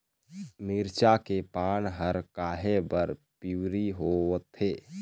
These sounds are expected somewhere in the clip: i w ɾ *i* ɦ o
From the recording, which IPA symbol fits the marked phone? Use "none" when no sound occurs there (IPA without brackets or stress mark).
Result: i